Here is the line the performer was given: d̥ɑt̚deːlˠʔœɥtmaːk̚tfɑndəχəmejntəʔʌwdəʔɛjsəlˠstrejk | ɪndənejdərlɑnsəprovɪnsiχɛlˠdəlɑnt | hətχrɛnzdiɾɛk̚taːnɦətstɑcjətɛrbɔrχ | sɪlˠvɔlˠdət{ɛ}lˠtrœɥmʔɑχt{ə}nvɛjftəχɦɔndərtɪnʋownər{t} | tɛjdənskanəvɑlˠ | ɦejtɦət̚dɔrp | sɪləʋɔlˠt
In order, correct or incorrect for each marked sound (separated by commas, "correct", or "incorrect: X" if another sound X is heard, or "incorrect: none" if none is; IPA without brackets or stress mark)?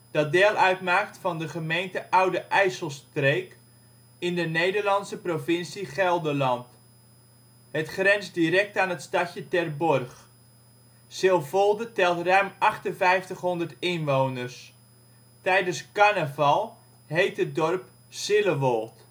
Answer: correct, correct, incorrect: s